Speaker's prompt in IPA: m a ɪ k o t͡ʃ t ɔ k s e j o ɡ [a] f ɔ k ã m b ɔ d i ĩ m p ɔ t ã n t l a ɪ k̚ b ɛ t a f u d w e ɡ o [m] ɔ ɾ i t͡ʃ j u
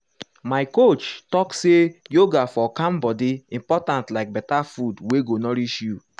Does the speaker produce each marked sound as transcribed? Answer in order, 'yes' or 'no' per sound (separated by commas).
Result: yes, no